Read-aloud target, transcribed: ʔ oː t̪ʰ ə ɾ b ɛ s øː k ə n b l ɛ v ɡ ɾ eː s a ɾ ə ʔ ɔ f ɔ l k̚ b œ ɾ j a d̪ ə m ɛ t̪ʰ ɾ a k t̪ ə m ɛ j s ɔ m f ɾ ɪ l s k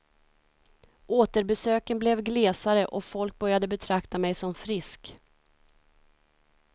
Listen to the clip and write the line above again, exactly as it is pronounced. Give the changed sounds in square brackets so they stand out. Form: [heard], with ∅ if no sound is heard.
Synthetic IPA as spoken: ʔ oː [t̪] ə ɾ b ɛ s øː k ə n b l ɛ v ɡ [l] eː s a ɾ ə ʔ ɔ f ɔ l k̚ b œ ɾ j a d̪ ə [b] ɛ t̪ʰ ɾ a k t̪ [a] m ɛ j s ɔ m f ɾ ɪ [∅] s k